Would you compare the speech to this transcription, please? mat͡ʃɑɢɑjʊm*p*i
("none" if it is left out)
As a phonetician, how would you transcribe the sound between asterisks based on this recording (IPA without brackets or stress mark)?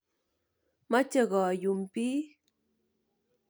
p